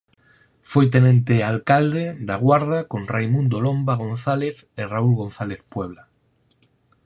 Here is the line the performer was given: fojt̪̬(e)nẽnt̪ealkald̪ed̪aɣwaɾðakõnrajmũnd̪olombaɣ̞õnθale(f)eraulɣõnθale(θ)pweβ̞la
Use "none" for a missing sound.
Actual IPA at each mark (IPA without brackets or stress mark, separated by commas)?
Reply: e, θ, θ